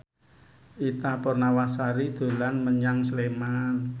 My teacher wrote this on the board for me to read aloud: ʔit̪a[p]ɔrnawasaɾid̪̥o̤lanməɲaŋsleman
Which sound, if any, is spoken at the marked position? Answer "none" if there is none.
p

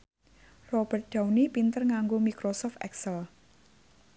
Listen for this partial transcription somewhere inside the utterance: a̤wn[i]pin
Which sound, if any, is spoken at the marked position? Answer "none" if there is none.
i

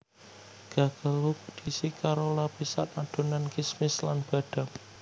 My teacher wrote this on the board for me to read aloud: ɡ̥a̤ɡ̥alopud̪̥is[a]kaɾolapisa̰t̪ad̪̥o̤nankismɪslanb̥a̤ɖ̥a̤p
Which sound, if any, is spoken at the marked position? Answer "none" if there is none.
i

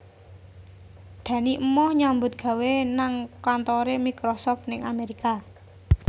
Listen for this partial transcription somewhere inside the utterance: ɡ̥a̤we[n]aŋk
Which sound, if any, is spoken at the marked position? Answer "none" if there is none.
n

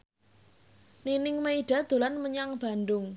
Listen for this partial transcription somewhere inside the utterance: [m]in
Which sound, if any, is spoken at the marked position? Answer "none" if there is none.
n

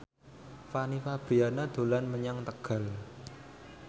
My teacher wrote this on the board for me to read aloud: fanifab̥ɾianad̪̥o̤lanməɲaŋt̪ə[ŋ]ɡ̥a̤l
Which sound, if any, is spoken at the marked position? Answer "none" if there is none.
none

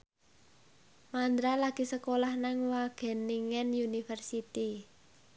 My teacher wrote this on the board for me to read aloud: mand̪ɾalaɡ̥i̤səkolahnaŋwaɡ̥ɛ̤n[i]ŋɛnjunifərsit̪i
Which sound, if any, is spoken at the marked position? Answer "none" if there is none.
i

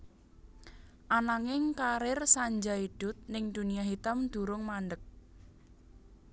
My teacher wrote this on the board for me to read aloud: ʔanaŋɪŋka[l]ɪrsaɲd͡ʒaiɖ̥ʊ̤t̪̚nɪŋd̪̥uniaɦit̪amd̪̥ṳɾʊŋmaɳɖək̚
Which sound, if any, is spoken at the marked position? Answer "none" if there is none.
ɾ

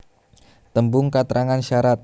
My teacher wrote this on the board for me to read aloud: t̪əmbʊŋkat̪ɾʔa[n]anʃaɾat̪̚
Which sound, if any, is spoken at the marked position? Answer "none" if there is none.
ŋ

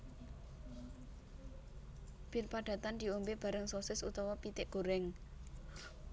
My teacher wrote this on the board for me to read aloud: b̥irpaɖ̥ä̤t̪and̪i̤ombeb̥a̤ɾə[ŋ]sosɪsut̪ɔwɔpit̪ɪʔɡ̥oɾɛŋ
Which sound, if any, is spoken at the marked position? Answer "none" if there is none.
ŋ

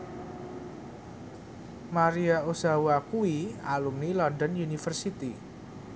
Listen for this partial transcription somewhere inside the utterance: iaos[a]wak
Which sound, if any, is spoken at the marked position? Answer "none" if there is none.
a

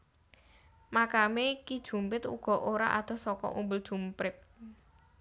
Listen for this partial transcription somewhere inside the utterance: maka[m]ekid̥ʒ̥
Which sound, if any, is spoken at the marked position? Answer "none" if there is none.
m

